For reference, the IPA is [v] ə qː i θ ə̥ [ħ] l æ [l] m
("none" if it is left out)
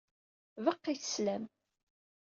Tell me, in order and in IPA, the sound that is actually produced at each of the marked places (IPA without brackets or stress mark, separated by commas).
v, s, none